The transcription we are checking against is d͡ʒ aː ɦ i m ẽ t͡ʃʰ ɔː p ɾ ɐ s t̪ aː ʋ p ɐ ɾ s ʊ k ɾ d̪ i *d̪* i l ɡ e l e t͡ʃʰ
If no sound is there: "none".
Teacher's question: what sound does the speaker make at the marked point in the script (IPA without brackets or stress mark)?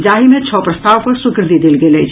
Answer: d̪